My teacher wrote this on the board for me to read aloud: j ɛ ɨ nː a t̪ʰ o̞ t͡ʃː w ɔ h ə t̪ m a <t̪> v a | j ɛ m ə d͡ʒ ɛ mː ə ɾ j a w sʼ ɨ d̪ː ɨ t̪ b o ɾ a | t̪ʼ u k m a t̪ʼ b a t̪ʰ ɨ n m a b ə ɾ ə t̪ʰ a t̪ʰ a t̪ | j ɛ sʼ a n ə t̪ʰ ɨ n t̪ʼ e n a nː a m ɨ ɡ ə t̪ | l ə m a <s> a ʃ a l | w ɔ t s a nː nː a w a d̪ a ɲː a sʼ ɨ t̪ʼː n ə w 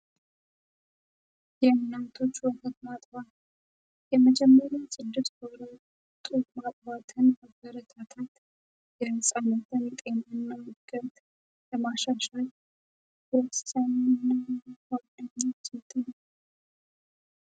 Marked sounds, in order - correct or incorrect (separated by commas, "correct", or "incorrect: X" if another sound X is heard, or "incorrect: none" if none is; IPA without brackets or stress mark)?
incorrect: t̪ʼ, incorrect: ʃ